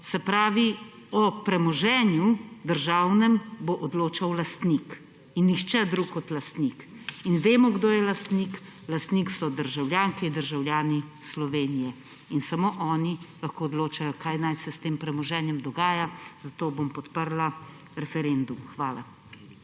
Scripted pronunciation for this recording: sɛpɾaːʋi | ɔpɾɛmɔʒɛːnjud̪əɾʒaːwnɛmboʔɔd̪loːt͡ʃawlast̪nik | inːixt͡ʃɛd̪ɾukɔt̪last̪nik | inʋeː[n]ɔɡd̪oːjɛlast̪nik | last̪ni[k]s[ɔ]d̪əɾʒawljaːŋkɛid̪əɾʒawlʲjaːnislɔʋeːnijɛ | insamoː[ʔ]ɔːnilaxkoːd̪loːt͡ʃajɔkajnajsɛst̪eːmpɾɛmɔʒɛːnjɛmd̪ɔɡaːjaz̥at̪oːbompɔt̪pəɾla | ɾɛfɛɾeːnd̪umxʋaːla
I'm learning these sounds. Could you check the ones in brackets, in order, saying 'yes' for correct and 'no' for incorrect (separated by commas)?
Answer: no, yes, yes, yes